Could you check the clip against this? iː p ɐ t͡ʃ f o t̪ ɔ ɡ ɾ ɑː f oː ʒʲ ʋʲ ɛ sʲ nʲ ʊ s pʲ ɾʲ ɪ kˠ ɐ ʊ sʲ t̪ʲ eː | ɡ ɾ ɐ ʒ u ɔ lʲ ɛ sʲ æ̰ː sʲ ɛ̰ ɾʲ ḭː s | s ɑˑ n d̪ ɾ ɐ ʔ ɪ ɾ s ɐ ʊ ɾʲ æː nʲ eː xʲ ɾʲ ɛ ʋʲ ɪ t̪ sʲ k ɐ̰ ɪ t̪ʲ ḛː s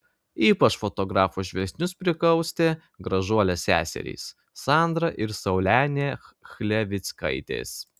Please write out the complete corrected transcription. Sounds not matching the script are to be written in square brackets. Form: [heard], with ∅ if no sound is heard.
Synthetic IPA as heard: iː p ɐ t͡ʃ f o t̪ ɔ ɡ ɾ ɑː f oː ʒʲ ʋʲ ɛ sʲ nʲ ʊ s pʲ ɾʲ ɪ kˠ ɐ ʊ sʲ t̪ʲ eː | ɡ ɾ ɐ ʒ u ɔ lʲ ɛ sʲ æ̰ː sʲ ɛ̰ ɾʲ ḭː s | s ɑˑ n d̪ ɾ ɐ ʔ ɪ ɾ s ɐ ʊ [lʲ] æː nʲ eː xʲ [lʲ] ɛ ʋʲ ɪ t̪ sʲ k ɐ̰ ɪ t̪ʲ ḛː s